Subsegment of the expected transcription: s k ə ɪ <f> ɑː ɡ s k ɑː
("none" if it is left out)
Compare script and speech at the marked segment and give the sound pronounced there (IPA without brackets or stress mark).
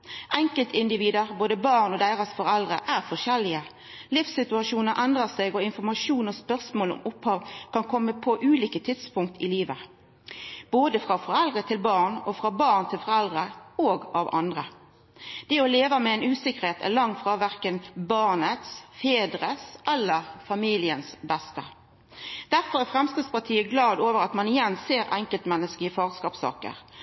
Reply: f